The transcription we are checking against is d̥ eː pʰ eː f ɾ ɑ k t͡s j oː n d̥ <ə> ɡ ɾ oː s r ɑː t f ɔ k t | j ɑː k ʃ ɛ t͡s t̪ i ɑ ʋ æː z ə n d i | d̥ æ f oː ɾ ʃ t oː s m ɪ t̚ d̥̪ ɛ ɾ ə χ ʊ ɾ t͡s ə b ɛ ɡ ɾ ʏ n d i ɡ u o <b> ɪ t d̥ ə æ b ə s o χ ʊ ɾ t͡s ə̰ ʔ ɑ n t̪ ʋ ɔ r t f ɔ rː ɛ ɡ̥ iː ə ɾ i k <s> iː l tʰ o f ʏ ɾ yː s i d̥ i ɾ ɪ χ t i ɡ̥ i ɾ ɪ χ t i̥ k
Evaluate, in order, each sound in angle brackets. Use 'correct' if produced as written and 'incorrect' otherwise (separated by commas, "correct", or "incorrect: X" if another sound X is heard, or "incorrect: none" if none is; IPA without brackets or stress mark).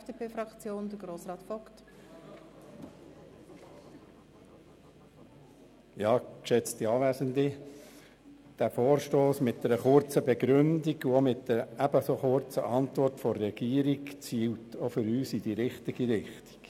correct, incorrect: m, incorrect: t͡s